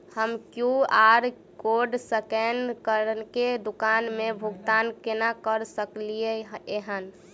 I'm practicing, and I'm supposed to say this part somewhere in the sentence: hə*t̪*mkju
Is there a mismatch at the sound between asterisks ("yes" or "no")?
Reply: yes